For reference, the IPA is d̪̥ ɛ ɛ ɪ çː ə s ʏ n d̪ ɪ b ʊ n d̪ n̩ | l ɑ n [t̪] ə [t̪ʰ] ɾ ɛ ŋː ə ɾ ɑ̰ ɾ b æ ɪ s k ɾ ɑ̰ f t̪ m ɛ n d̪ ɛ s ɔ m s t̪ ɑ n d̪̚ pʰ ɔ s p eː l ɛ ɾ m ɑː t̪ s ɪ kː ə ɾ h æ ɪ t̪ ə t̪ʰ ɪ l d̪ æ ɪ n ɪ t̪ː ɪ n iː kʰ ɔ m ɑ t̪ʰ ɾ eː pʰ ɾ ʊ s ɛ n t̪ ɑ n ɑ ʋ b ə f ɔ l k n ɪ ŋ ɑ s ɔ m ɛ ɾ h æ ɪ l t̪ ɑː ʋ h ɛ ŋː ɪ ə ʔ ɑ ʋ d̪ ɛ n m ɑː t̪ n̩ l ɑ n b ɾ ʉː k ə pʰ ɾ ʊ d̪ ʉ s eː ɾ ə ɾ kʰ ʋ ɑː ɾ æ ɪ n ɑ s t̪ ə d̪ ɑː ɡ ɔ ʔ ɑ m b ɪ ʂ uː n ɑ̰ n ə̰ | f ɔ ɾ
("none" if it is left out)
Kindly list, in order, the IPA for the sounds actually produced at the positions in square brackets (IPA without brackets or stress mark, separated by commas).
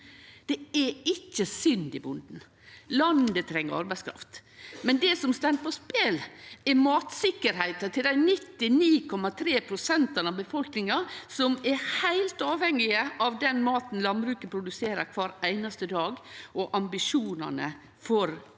d̪, t̪ʰ